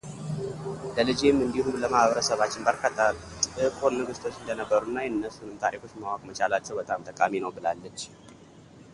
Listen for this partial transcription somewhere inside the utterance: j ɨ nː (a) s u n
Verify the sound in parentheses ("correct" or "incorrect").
incorrect